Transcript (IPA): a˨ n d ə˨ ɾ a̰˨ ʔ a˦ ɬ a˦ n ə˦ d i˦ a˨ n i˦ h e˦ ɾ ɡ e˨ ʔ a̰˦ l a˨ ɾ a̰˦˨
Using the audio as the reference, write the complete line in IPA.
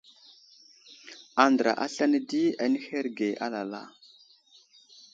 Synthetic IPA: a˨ n d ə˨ ɾ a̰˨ ʔ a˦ ɬ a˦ n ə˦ d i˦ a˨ n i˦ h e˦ ɾ ɡ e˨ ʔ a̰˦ l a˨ l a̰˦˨